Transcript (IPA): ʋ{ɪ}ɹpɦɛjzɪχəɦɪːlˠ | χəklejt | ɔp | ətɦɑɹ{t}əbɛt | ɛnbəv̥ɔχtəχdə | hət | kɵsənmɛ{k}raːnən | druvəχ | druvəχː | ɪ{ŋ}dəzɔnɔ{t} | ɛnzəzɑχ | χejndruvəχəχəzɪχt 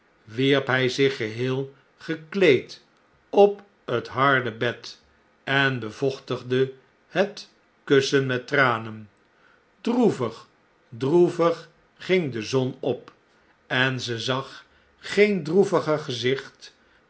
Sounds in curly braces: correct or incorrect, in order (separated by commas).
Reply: incorrect, incorrect, incorrect, correct, incorrect